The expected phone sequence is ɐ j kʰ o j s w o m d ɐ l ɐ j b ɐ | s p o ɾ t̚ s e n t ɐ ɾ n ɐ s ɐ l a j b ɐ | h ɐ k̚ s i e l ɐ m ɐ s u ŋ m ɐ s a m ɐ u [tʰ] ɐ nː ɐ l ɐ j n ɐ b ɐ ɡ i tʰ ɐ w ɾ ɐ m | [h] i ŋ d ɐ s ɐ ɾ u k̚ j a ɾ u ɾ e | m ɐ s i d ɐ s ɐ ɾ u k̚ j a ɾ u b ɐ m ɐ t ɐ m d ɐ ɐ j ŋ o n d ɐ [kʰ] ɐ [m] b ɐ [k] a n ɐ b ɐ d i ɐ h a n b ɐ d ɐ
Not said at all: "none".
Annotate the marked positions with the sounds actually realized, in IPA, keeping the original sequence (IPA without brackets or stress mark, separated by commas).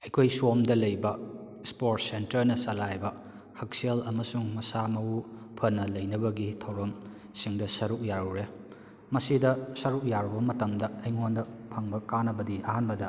pʰ, s, pʰ, ŋ, k